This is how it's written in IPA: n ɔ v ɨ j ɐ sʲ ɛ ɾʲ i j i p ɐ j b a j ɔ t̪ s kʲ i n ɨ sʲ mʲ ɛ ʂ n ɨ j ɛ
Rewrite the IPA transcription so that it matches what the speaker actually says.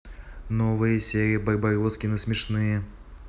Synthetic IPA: n ɔ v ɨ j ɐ sʲ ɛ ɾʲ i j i b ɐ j b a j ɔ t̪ s kʲ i n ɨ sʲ mʲ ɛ ʂ n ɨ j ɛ